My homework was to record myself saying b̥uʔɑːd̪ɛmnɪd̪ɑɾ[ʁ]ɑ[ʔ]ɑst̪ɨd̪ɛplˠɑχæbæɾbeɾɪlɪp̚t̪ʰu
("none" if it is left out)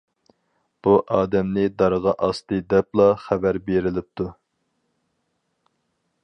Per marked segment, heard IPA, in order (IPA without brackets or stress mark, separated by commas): ʁ, ʔ